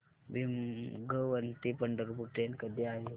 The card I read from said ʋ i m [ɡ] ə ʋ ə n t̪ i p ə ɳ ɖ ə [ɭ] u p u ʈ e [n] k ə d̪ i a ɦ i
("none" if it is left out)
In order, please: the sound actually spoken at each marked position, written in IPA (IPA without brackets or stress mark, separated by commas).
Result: ɡ, ɾ, n